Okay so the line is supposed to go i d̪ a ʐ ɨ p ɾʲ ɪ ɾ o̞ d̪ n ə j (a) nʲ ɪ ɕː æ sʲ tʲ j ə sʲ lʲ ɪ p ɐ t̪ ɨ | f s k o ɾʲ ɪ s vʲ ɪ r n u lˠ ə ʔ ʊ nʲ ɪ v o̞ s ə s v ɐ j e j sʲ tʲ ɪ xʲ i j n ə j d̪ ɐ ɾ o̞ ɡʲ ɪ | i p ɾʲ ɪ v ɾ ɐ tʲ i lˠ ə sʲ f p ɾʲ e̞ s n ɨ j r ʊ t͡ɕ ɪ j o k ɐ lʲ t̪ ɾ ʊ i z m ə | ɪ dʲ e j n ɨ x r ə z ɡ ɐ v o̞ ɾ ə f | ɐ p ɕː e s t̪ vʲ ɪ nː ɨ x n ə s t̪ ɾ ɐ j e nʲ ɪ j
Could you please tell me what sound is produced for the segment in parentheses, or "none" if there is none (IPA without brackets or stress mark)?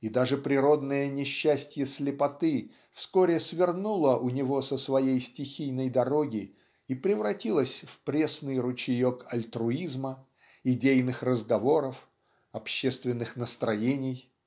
ə